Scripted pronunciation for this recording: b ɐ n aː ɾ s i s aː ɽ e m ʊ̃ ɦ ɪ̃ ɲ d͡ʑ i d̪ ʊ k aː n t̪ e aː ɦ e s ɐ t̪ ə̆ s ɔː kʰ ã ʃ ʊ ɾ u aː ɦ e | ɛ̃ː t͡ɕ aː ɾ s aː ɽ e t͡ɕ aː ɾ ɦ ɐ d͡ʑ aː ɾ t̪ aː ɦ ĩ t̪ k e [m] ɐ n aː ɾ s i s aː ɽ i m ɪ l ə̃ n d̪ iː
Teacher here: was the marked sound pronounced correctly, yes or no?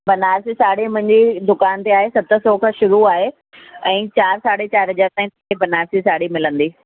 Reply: no